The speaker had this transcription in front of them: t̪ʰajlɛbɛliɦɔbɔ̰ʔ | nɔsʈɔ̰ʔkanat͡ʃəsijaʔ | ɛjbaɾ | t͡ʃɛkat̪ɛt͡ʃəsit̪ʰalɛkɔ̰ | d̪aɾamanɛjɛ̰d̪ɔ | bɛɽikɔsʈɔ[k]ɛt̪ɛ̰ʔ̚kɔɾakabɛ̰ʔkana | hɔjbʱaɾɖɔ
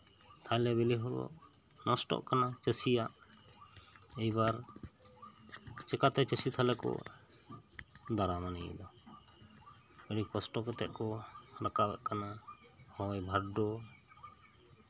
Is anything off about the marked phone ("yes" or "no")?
no